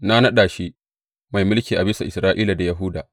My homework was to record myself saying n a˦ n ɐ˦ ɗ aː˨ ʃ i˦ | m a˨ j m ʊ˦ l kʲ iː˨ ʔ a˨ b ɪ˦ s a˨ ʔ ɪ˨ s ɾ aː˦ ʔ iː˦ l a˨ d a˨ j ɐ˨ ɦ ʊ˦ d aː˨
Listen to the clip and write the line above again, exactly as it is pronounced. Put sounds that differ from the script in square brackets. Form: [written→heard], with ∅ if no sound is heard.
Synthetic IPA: n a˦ n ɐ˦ ɗ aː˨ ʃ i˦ | m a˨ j m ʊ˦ l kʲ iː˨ ʔ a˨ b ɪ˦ s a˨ ʔ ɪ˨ s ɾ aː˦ ʔ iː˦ l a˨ d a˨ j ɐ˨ ɦ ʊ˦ d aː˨